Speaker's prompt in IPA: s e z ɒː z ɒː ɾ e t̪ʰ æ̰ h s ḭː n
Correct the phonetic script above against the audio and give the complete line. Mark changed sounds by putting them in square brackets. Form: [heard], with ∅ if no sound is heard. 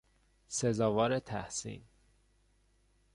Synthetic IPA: s e z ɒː [v] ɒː ɾ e t̪ʰ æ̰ h s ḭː n